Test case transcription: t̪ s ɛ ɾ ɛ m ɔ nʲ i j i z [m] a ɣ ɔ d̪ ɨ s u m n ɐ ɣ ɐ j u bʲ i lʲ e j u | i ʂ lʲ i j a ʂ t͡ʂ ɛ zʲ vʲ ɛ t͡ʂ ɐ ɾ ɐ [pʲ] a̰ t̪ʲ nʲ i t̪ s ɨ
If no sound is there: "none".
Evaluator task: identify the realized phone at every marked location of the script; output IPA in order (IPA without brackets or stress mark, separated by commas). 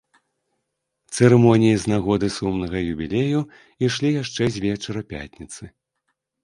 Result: n, pʲ